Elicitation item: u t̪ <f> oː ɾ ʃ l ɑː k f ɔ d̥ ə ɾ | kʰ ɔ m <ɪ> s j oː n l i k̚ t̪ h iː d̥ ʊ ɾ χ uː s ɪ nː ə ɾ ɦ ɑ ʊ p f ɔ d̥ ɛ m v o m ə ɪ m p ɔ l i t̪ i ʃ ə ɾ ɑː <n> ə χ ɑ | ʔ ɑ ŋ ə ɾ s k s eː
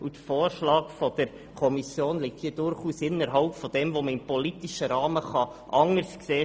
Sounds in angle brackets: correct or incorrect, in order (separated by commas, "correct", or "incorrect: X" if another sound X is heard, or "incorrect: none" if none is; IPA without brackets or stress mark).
correct, incorrect: i, incorrect: m